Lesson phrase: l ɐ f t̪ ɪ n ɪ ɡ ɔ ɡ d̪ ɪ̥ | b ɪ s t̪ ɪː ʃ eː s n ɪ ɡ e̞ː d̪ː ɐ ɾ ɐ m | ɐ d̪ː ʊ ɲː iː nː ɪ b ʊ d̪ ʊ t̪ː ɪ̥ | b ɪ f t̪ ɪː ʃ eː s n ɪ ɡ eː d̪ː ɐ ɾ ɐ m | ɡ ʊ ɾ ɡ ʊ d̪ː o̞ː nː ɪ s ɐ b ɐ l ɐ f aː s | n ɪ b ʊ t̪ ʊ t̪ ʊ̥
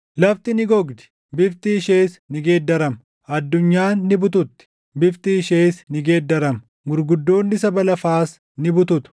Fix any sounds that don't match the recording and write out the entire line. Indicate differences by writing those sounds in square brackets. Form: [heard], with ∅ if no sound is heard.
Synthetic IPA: l ɐ f t̪ ɪ n ɪ ɡ ɔ ɡ d̪ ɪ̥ | b ɪ [f] t̪ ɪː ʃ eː s n ɪ ɡ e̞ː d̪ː ɐ ɾ ɐ m | ɐ d̪ː ʊ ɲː [aː] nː ɪ b ʊ [t̪] ʊ t̪ː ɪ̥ | b ɪ f t̪ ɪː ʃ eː s n ɪ ɡ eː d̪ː ɐ ɾ ɐ m | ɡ ʊ ɾ ɡ ʊ d̪ː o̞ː nː ɪ s ɐ b ɐ l ɐ f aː s | n ɪ b ʊ t̪ ʊ t̪ ʊ̥

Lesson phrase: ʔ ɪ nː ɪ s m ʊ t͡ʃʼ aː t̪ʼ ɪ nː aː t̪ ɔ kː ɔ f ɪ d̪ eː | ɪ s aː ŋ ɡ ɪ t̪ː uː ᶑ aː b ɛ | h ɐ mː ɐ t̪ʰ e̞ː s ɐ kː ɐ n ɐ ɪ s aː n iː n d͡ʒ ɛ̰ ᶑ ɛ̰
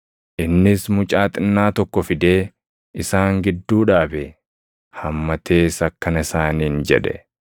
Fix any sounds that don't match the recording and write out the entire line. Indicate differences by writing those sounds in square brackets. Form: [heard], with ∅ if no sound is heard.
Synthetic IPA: ʔ ɪ nː ɪ s m ʊ t͡ʃʼ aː t̪ʼ ɪ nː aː t̪ ɔ kː ɔ f ɪ d̪ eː | ɪ s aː ŋ ɡ ɪ [d̪ː] uː ᶑ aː b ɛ | h ɐ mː ɐ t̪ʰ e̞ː s ɐ kː ɐ n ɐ ɪ s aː n iː n d͡ʒ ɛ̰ ᶑ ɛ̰

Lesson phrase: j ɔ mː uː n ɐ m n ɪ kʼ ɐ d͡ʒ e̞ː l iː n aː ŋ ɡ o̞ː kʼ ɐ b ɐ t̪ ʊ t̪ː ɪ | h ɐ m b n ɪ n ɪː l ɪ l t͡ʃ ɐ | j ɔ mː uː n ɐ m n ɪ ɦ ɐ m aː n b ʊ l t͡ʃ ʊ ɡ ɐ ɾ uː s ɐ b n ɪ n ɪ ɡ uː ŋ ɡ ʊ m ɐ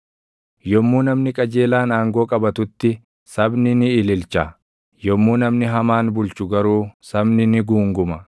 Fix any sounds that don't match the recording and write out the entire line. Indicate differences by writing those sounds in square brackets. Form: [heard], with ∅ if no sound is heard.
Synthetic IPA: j ɔ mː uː n ɐ m n ɪ kʼ ɐ d͡ʒ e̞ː l [aː] n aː ŋ ɡ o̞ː kʼ ɐ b ɐ t̪ ʊ t̪ː ɪ | [s] ɐ [∅] b n ɪ n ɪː l ɪ l t͡ʃ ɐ | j ɔ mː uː n ɐ m n ɪ ɦ ɐ m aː n b ʊ l t͡ʃ ʊ ɡ ɐ ɾ uː s ɐ b n ɪ n ɪ ɡ uː ŋ ɡ ʊ m ɐ

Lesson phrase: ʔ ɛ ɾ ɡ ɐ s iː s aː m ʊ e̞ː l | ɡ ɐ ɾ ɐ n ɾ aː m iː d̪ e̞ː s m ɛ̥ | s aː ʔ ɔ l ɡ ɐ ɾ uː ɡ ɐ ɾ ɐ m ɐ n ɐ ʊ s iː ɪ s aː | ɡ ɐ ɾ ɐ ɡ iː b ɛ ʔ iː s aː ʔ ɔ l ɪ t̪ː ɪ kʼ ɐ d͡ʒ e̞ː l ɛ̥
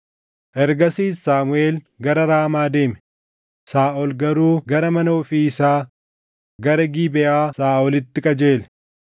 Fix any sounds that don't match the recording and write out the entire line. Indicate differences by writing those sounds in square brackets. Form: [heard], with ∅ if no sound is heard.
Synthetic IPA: ʔ ɛ ɾ ɡ ɐ s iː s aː m ʊ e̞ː l | ɡ ɐ ɾ ɐ [∅] ɾ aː m [aː] d̪ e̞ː [∅] m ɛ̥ | s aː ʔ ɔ l ɡ ɐ ɾ uː ɡ ɐ ɾ ɐ m ɐ n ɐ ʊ [f] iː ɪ s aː | ɡ ɐ ɾ ɐ ɡ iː b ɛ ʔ [aː] s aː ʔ ɔ l ɪ t̪ː ɪ kʼ ɐ d͡ʒ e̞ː l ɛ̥

